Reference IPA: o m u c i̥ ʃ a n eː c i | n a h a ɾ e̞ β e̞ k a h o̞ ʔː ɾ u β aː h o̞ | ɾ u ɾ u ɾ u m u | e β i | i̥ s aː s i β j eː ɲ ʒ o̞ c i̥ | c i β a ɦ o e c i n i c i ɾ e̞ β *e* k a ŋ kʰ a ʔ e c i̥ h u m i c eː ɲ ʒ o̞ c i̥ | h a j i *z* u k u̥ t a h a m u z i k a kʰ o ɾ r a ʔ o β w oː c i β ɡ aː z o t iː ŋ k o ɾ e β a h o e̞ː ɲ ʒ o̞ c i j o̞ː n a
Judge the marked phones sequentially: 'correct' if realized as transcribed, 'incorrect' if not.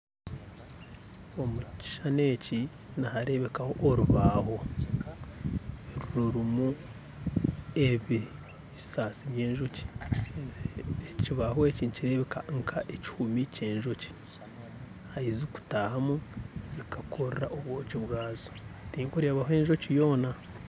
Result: correct, correct

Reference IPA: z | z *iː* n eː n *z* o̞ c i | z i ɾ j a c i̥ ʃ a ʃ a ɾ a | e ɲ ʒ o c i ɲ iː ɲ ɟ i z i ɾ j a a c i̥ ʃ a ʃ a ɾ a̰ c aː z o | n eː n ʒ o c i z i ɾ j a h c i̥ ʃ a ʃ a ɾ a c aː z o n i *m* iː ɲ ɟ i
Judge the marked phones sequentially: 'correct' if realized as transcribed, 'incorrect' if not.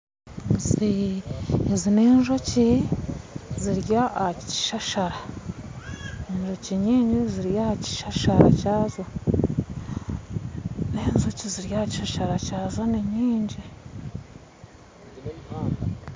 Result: incorrect, incorrect, incorrect

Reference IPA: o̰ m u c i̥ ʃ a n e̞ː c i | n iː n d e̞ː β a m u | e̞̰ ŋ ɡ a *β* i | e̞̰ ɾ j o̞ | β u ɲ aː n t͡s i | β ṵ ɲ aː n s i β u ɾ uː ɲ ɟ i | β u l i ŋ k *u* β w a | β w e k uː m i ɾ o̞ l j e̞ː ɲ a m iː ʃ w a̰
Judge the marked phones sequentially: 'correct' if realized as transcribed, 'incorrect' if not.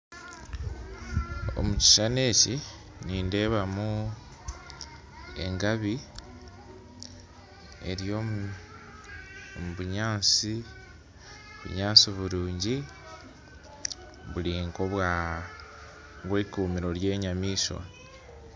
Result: correct, incorrect

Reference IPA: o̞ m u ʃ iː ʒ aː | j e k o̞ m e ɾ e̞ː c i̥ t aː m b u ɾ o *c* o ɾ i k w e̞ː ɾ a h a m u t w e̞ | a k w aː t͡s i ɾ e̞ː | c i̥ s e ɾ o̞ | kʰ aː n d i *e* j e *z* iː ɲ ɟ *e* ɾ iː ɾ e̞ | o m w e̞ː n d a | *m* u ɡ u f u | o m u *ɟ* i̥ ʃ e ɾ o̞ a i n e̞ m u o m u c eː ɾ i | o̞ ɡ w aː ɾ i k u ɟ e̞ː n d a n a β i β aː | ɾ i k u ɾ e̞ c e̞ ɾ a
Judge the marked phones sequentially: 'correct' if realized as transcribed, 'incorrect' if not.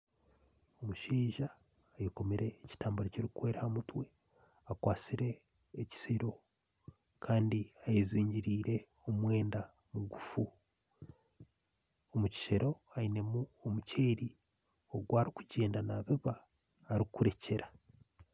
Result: correct, incorrect, correct, incorrect, correct, incorrect

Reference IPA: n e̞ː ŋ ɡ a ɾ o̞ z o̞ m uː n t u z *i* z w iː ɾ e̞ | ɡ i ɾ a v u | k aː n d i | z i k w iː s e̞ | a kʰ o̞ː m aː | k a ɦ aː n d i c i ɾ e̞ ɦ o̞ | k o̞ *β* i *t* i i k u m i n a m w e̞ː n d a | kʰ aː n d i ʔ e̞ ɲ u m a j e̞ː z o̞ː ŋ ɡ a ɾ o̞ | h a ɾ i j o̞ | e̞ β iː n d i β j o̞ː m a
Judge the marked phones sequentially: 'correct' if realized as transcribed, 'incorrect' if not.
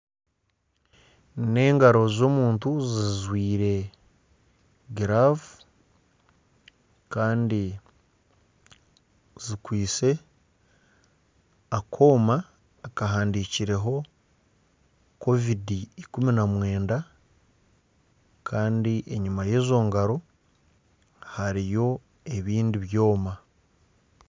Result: correct, incorrect, incorrect

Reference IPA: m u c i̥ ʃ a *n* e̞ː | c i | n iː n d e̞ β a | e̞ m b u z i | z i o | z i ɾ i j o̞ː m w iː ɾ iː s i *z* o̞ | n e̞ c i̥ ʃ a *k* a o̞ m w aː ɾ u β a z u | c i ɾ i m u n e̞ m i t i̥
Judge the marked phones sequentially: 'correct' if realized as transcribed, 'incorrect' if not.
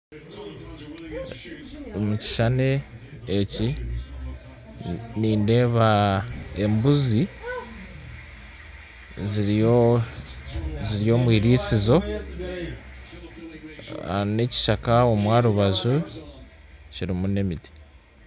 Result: correct, correct, correct

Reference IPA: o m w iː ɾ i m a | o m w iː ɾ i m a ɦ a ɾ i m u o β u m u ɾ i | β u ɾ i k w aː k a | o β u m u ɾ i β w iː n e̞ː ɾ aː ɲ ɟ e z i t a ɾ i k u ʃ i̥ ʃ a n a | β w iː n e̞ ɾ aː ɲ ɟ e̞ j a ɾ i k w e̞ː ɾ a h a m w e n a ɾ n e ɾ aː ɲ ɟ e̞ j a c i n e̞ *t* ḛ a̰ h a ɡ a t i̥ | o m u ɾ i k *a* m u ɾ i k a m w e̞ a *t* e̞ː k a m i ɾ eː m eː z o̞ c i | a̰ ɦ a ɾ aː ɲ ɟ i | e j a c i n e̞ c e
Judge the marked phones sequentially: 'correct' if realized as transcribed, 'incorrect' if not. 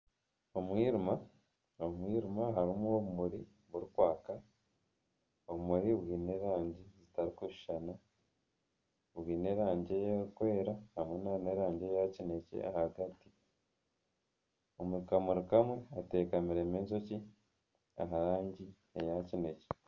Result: incorrect, correct, correct

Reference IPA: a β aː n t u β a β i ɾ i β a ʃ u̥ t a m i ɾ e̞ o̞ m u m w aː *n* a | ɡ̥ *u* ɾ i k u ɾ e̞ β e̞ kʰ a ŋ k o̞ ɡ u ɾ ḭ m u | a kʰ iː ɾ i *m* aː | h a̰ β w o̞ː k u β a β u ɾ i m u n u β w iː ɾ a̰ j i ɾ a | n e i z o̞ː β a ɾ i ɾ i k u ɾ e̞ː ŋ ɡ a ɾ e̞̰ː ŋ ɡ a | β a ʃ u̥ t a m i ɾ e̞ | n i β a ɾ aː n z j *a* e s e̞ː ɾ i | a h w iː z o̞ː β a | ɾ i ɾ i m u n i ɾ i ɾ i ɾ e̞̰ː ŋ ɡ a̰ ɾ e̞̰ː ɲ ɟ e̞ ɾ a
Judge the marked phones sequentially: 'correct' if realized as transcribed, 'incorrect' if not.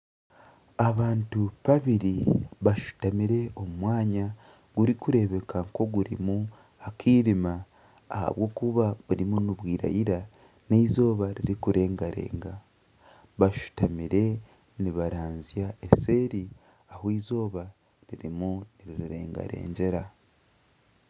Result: incorrect, correct, correct, correct

